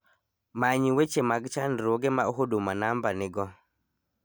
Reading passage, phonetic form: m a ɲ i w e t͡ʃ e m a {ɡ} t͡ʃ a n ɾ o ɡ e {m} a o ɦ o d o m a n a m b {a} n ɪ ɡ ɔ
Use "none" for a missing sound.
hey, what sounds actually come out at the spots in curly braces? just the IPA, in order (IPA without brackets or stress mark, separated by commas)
ɡ, m, a